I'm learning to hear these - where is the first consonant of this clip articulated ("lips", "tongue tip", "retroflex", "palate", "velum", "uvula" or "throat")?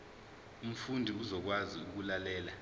lips